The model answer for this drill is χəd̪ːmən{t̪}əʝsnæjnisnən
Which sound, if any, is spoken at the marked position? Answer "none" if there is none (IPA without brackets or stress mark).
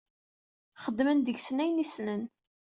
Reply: d̪